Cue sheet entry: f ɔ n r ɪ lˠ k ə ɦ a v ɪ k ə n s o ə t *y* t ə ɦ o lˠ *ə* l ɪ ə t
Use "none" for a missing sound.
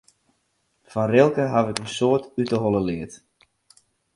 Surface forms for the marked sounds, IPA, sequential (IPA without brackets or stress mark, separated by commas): y, ə